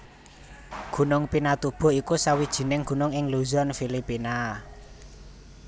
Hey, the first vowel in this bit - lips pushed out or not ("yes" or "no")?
yes